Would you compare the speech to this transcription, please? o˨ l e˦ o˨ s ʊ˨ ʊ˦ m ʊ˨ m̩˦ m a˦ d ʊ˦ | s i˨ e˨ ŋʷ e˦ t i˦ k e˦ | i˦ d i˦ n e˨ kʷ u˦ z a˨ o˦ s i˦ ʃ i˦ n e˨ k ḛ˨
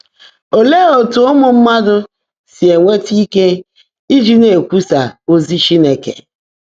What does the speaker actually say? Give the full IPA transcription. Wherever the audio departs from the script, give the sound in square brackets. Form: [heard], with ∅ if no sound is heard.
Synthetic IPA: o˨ l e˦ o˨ [t] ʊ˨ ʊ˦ m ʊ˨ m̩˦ m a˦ d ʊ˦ | s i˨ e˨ ŋʷ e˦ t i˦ k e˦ | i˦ [d͡ʒ] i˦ n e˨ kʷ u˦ [s] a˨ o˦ [z] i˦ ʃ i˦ n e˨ k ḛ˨